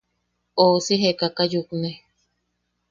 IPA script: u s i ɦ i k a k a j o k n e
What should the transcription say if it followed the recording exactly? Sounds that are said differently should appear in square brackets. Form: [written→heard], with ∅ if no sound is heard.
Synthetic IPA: [u→o] s i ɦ [i→e] k a k a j [o→u] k n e